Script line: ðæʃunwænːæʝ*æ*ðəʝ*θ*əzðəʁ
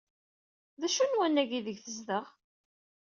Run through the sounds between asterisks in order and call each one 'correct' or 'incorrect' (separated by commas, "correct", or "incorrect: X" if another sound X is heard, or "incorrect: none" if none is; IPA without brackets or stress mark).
incorrect: i, correct